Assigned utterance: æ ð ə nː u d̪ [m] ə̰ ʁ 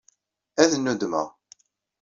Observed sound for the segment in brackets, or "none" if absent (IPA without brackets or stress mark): m